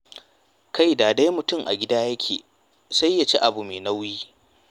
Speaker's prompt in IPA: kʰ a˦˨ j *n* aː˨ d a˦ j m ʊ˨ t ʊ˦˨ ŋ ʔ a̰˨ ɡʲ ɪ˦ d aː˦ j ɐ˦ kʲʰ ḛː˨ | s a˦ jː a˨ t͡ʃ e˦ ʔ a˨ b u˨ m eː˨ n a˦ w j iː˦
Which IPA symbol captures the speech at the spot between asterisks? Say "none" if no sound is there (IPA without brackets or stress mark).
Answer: d